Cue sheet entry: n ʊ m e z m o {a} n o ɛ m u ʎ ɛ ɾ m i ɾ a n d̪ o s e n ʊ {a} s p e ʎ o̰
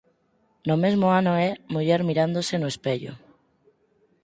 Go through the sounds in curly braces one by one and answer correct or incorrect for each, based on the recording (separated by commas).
correct, incorrect